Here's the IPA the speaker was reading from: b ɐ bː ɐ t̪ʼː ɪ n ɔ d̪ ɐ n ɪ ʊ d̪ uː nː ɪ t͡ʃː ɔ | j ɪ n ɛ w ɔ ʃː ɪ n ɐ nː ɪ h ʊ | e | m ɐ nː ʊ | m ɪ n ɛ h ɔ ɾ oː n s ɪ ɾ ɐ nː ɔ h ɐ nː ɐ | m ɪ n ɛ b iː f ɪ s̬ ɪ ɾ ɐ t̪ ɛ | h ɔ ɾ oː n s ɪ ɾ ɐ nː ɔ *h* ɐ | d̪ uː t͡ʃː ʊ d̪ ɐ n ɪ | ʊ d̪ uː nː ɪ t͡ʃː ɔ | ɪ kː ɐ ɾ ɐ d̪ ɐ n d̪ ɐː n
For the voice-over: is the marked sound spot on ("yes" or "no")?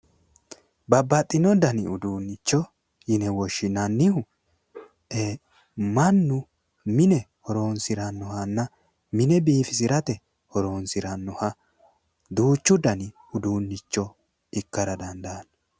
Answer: yes